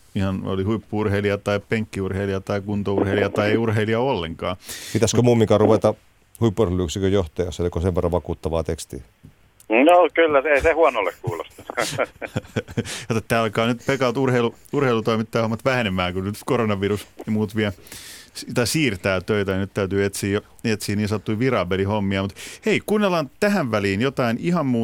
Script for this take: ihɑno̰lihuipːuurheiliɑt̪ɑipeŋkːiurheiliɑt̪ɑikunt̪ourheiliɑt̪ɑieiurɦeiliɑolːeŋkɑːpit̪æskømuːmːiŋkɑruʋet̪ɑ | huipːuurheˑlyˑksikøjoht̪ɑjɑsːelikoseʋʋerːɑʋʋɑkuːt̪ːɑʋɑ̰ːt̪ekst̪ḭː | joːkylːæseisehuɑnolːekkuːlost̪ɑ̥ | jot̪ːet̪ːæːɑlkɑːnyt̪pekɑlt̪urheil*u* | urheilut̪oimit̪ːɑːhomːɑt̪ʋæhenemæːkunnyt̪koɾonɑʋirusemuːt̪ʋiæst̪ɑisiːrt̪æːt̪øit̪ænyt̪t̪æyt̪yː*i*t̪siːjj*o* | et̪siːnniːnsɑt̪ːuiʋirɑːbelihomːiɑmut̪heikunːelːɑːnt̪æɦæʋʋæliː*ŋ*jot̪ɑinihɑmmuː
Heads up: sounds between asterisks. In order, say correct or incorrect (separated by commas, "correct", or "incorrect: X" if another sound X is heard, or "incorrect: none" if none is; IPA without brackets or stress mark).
correct, incorrect: e, correct, incorrect: n